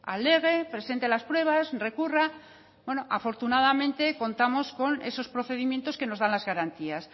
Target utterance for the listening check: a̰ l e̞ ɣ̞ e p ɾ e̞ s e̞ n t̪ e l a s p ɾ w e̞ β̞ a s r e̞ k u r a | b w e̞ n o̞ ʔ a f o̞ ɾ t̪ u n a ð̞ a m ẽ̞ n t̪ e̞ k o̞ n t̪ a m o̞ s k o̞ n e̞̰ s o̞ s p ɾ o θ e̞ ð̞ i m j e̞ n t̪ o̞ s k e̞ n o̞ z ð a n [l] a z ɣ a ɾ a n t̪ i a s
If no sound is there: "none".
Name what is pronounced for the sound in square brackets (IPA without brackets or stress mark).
l